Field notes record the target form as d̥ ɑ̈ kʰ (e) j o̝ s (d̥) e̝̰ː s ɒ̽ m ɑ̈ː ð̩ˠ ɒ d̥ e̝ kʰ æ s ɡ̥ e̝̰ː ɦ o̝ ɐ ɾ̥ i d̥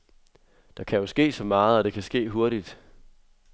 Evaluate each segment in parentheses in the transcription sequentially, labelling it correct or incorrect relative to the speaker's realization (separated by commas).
incorrect, incorrect